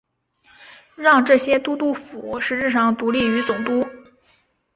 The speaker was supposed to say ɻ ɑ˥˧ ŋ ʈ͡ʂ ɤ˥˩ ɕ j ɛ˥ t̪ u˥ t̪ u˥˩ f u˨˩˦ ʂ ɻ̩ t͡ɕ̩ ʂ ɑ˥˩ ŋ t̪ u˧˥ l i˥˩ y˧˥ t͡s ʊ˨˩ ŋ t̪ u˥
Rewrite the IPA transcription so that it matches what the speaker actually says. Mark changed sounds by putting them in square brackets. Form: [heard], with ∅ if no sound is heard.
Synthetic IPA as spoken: ɻ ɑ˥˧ ŋ ʈ͡ʂ ɤ˥˩ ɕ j ɛ˥ t̪ u˥ t̪ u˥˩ f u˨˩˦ ʂ ɻ̩ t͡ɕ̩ ʂ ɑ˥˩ ŋ t̪ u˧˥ l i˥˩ y˧˥ t͡s ʊ˨˩ ŋ t̪ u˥